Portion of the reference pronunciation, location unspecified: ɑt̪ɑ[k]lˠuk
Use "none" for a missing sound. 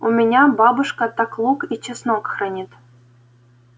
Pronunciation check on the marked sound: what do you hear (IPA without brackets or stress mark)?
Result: k